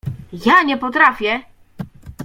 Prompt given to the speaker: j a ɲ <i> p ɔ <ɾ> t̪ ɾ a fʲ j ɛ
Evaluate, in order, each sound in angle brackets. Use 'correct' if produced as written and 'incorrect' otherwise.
incorrect, incorrect

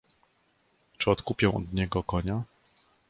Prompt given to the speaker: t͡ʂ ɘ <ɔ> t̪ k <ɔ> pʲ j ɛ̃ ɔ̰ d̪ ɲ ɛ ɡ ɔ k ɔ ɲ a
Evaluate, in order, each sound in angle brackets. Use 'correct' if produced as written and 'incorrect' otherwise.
correct, incorrect

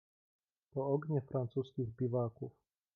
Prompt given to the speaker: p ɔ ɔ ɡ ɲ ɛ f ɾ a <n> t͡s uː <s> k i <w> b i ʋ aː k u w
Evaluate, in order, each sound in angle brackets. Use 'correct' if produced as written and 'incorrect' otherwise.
correct, correct, incorrect

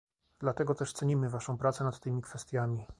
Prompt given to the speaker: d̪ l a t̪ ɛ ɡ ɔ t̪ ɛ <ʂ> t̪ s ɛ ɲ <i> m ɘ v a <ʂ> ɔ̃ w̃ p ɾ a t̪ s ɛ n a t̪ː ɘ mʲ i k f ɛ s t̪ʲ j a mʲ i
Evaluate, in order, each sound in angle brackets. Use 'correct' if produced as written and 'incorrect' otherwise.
correct, correct, correct

